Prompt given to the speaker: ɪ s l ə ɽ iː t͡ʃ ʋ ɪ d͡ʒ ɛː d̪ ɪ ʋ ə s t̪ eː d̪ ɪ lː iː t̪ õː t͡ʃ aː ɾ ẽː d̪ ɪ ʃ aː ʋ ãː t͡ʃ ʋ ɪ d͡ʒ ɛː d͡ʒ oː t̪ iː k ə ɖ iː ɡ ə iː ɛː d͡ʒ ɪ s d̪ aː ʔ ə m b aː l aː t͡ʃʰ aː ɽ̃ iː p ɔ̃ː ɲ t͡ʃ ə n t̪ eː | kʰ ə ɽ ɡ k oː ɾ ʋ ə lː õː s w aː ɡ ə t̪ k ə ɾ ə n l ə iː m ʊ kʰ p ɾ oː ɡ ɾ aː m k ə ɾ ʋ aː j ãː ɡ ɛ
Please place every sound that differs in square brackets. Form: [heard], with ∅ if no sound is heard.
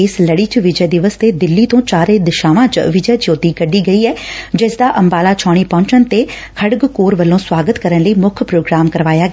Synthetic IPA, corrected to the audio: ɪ s l ə ɽ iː t͡ʃ ʋ ɪ d͡ʒ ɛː d̪ ɪ ʋ ə s t̪ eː d̪ ɪ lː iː t̪ õː t͡ʃ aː ɾ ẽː d̪ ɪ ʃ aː ʋ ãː t͡ʃ ʋ ɪ d͡ʒ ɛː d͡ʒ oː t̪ iː k ə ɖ iː ɡ ə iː ɛː d͡ʒ ɪ s d̪ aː ʔ ə m b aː l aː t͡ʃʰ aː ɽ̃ iː p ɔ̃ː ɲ t͡ʃ ə n t̪ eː | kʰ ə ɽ ɡ k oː ɾ ʋ ə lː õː s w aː ɡ ə t̪ k ə ɾ ə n l ə iː m ʊ kʰ p ɾ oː ɡ ɾ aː m k ə ɾ ʋ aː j [aː] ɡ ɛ